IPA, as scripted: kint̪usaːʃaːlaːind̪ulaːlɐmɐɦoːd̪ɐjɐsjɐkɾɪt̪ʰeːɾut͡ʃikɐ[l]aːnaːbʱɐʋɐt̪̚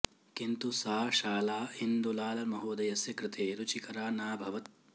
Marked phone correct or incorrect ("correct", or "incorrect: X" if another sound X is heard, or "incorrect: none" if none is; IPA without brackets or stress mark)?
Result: incorrect: ɾ